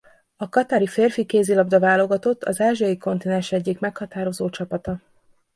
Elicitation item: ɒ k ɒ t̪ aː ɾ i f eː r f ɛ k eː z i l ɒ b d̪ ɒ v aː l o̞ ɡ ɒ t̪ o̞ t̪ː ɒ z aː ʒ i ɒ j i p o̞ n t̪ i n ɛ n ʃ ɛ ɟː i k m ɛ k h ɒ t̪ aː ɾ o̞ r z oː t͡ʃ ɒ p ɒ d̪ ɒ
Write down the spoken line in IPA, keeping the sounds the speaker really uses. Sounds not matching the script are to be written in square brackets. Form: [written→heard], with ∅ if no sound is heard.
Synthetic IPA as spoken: ɒ k ɒ t̪ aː ɾ i f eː r f [ɛ→i] k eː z i l ɒ b d̪ ɒ v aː l o̞ ɡ ɒ t̪ o̞ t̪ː ɒ z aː ʒ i ɒ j i [p→k] o̞ n t̪ i n ɛ n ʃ ɛ ɟː i k m ɛ k h ɒ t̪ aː ɾ o̞ [r→∅] z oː t͡ʃ ɒ p ɒ [d̪→t̪] ɒ